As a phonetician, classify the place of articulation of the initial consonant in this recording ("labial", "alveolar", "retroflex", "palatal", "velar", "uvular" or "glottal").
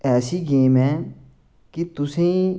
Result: alveolar